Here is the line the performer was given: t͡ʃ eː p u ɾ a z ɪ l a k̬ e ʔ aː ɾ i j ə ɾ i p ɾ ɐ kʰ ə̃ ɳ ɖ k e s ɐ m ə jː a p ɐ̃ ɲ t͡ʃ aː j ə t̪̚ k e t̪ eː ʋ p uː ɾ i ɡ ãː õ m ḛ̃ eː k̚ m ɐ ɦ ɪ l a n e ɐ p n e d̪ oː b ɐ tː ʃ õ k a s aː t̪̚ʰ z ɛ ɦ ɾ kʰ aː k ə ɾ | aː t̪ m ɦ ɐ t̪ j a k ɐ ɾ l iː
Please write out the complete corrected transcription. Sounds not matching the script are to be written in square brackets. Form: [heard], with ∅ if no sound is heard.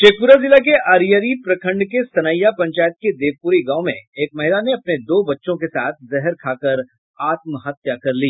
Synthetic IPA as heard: t͡ʃ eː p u ɾ a z ɪ l a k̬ e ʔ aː ɾ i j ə ɾ i p ɾ ɐ kʰ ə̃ ɳ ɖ k e s ɐ [n] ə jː a p ɐ̃ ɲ t͡ʃ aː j ə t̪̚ k e [d̪] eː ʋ p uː ɾ i ɡ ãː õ m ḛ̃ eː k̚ m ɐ ɦ ɪ l a n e ɐ p n e d̪ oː b ɐ tː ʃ õ k [e] s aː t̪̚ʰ z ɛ ɦ ɾ kʰ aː k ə ɾ | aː t̪ m ɦ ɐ t̪ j a k ɐ ɾ l iː